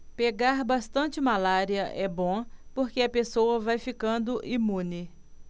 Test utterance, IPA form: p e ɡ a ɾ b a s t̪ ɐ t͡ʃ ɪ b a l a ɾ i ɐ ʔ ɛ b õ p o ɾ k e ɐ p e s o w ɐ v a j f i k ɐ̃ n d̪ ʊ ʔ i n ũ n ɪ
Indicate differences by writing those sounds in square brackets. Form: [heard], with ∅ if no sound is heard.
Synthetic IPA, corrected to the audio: p e ɡ a ɾ b a s t̪ [ɐ̃] t͡ʃ ɪ [m] a l a ɾ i ɐ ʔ ɛ b õ p o ɾ k e ɐ p e s o w ɐ v a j f i k ɐ̃ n d̪ ʊ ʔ i [m] ũ n ɪ